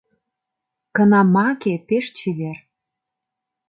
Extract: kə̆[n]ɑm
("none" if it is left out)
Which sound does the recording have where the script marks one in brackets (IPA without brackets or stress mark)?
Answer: n